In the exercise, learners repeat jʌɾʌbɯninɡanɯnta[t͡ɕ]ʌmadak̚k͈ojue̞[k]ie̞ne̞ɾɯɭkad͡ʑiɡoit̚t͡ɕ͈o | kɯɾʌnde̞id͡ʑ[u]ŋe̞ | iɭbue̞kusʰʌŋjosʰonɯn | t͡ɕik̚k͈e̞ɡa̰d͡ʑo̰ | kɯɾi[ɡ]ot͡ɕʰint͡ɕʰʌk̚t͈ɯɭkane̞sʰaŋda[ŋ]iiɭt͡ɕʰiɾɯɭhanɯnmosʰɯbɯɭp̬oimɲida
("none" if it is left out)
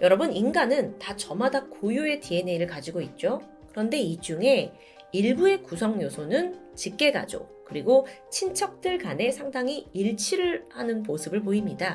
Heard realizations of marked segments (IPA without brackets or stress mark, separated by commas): t͡ɕ, t, u, ɡ, ŋ